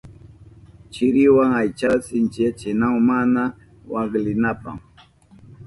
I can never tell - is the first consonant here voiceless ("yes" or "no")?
yes